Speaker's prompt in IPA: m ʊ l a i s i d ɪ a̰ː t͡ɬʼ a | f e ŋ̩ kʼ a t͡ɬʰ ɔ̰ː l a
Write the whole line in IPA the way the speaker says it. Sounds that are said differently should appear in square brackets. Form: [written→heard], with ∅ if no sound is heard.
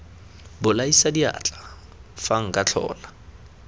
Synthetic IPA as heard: [m→b] ʊ l a i s [i→a] d [ɪ→i] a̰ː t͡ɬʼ a | f [e→a] ŋ̩ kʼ a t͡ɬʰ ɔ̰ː l a